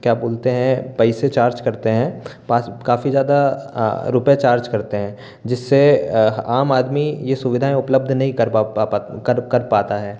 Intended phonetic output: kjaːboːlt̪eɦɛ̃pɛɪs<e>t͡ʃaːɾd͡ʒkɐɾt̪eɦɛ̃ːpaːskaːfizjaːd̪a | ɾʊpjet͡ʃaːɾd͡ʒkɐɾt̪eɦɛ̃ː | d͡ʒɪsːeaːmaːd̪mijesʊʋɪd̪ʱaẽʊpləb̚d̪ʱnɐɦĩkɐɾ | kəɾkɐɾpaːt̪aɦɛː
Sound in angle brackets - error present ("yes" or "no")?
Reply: no